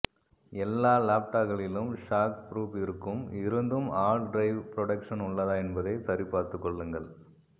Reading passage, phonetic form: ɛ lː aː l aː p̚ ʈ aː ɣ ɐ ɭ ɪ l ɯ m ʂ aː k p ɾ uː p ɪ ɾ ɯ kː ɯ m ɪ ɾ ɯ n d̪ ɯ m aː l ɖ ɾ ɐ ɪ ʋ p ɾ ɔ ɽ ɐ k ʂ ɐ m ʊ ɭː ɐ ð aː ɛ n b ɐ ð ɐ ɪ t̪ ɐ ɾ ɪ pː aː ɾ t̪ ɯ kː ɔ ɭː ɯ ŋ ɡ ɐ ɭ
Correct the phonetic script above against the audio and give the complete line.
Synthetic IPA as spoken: ɛ lː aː l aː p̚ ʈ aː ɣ ɐ ɭ ɪ l ɯ m ʂ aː k p ɾ uː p ɪ ɾ ɯ kː ɯ m ɪ ɾ ɯ n d̪ ɯ m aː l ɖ ɾ ɐ ɪ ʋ p ɾ ɔ ɽ ɐ k ʂ ɐ n ʊ ɭː ɐ ð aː ɛ n b ɐ ð ɐ ɪ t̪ ɐ ɾ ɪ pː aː ɾ t̪ ɯ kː ɔ ɭː ɯ ŋ ɡ ɐ ɭ